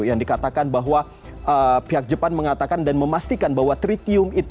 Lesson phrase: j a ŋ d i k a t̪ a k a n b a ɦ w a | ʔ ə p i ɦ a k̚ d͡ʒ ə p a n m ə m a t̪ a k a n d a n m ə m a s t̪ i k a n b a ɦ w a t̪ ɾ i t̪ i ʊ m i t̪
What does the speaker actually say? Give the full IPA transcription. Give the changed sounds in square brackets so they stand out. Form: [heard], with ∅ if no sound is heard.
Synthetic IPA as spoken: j a ŋ d i k a t̪ a k a n b a ɦ w a | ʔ ə p i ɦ a k̚ d͡ʒ ə p a n m ə [ŋ] a t̪ a k a n d a n m ə m a s t̪ i k a n b a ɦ w a t̪ ɾ i t̪ i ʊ m i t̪